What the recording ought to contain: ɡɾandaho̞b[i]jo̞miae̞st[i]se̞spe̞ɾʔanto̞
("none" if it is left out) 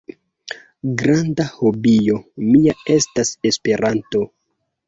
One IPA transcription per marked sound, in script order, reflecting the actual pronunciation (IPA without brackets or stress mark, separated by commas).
i, a